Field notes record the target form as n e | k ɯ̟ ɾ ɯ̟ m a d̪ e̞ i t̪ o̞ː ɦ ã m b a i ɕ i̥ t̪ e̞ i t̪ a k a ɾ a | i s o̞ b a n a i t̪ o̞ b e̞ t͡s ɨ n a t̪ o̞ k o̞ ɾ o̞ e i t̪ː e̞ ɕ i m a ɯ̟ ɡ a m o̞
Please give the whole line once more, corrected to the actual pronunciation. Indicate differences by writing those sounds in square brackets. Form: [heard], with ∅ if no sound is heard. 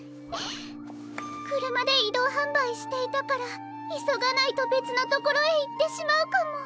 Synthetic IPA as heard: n e | k ɯ̟ ɾ ɯ̟ m a d̪ e̞ i [d̪] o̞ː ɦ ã m b a i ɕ i̥ t̪ e̞ i t̪ a k a ɾ a | i s o̞ [ɡ] a n a i t̪ o̞ b e̞ t͡s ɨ n a t̪ o̞ k o̞ ɾ o̞ e i t̪ː e̞ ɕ i m a ɯ̟ [k] a m o̞